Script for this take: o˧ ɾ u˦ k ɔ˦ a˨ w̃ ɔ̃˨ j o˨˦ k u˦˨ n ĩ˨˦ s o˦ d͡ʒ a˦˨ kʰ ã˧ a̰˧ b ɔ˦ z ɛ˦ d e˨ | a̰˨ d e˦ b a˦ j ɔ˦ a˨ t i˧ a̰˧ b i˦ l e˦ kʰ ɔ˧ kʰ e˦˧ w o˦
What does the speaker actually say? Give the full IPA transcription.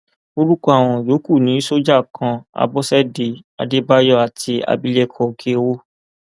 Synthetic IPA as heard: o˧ ɾ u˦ k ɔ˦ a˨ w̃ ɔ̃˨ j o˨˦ k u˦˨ n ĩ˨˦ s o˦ d͡ʒ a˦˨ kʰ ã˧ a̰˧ b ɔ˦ s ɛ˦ d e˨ | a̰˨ d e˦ b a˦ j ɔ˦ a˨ t i˧ a̰˧ b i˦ l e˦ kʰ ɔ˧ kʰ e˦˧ w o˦